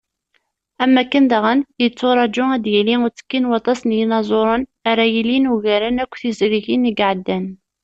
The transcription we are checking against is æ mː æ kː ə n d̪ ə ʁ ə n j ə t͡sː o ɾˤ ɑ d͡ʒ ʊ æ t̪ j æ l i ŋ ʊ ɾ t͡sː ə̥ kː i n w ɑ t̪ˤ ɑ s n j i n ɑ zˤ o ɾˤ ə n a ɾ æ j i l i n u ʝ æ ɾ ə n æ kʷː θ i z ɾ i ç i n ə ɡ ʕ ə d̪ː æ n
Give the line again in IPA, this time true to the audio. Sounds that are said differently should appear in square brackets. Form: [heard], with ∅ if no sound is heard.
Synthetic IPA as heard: æ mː æ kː ə n d̪ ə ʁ ə n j ə t͡sː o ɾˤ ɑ d͡ʒ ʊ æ [d̪] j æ l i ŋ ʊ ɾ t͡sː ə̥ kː i n w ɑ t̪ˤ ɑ s n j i n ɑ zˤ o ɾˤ ə n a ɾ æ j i l i n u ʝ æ ɾ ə n æ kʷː θ i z ɾ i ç i n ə ɡ ʕ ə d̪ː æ n